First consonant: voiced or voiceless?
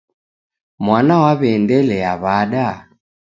voiced